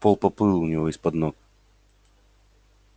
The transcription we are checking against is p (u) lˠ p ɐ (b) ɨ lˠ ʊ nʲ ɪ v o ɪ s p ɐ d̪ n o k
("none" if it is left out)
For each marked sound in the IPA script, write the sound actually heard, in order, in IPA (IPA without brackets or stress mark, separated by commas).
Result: o, p